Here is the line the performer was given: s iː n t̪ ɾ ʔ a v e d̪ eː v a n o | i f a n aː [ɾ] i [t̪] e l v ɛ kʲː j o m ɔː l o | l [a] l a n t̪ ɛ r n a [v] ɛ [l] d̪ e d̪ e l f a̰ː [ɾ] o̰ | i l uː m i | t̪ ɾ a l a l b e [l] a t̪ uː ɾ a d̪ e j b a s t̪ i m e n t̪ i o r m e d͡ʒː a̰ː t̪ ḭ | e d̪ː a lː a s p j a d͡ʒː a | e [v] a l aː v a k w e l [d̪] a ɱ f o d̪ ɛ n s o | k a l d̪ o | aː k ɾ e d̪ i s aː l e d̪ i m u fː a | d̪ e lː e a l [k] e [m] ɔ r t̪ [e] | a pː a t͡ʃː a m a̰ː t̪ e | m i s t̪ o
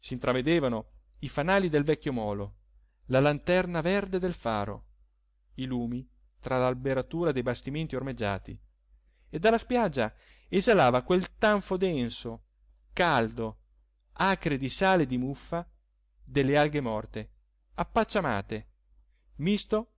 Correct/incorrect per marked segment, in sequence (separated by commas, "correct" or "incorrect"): incorrect, incorrect, correct, correct, incorrect, correct, incorrect, incorrect, incorrect, incorrect, correct, correct